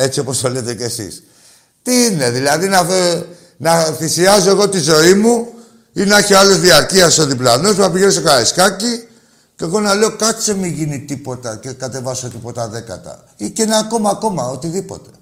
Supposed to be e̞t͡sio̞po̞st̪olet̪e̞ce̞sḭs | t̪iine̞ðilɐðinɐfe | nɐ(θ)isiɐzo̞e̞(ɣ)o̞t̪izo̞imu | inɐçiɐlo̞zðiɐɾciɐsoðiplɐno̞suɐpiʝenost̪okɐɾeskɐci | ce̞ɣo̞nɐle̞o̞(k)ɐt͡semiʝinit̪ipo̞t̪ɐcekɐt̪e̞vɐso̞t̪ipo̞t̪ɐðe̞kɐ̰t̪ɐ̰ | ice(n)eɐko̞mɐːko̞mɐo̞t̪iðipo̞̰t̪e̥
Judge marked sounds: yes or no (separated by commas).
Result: yes, yes, yes, yes